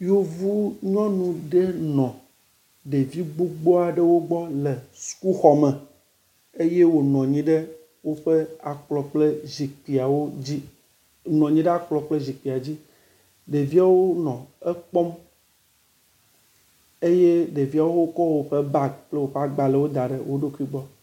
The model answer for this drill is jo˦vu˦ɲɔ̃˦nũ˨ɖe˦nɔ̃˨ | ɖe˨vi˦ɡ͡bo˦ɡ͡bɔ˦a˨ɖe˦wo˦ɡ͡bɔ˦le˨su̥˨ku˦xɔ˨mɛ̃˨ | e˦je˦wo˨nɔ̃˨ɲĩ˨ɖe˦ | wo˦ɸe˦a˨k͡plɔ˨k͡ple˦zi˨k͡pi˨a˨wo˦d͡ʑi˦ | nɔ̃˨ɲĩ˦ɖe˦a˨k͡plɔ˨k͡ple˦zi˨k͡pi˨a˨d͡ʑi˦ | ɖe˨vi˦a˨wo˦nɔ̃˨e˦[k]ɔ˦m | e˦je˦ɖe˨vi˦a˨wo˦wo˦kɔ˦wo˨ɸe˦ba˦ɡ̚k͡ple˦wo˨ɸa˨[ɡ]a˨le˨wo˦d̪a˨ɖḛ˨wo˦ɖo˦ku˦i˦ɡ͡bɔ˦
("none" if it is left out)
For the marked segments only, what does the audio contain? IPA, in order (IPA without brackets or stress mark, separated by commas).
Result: k͡p, ɡ͡b